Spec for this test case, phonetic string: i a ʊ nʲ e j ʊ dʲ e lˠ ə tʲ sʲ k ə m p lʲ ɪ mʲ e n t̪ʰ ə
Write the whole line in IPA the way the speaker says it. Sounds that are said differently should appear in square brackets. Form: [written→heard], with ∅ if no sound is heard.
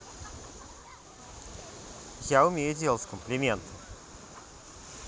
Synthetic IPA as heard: [i→j] a ʊ [nʲ→mʲ] e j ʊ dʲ e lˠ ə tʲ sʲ k ə m p lʲ ɪ mʲ e n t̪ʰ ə